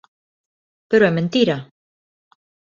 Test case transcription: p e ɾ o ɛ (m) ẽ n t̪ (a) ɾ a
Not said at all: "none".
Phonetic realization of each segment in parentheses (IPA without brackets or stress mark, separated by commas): m, i